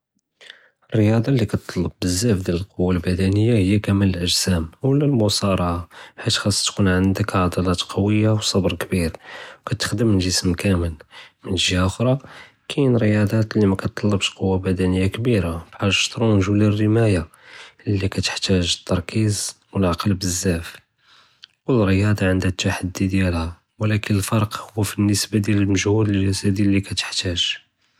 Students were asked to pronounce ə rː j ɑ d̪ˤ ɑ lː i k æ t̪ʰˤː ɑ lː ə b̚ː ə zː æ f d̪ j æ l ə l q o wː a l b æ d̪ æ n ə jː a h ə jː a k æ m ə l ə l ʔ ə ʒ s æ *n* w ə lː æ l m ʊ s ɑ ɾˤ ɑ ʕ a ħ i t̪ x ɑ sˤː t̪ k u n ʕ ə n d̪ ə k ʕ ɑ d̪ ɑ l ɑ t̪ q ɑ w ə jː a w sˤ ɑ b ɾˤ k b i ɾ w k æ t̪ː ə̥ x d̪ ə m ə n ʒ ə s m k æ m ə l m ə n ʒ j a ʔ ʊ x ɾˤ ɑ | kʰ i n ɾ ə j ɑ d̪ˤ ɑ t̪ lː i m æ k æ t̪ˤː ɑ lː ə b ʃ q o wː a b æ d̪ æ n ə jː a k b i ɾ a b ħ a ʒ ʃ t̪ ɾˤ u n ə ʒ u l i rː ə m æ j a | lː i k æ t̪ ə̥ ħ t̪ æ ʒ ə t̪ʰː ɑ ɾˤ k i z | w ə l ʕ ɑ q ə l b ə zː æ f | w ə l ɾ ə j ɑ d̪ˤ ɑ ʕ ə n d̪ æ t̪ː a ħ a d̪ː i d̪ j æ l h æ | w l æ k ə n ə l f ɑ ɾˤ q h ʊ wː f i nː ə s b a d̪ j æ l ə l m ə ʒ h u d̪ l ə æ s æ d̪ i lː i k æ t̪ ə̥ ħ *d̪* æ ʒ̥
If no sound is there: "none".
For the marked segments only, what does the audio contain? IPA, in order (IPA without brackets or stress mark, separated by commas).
m, t̪